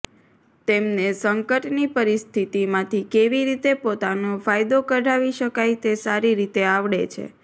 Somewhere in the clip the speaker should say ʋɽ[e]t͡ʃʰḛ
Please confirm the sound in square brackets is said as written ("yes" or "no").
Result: yes